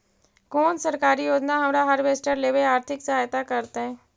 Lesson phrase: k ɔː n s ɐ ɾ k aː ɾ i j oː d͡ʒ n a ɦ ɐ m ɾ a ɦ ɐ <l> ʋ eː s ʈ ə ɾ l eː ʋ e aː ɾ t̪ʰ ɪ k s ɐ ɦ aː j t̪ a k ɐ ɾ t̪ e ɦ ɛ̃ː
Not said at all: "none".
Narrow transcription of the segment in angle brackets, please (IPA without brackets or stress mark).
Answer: ɾ